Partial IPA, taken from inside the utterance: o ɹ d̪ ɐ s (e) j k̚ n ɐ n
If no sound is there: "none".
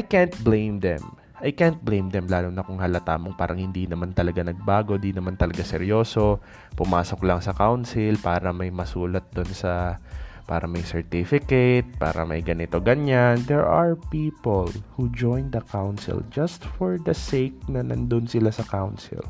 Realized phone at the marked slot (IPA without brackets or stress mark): e